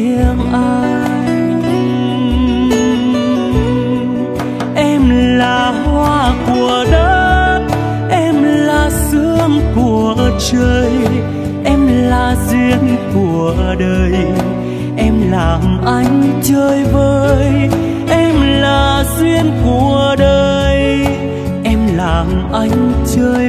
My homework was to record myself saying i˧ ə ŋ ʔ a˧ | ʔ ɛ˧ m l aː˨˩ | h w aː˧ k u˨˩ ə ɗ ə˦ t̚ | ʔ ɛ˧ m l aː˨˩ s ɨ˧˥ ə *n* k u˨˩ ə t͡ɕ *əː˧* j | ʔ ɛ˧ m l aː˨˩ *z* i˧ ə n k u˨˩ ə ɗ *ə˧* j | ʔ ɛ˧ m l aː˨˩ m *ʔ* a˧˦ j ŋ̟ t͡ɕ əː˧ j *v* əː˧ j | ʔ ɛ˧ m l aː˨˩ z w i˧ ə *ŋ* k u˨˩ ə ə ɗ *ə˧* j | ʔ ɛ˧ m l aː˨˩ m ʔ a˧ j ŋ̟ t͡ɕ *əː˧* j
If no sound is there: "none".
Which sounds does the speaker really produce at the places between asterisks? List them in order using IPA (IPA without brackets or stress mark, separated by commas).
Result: ŋ, əː˧, z, əː˧, ʔ, v, n, əː˧, əː˧